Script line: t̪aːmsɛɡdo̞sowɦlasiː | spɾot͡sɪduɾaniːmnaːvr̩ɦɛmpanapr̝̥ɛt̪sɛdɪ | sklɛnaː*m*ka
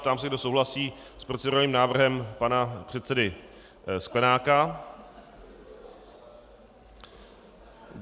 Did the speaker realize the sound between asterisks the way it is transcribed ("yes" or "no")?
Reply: no